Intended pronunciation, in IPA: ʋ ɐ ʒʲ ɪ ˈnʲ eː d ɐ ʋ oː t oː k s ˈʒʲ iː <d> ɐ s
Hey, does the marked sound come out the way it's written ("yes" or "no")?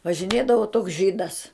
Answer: yes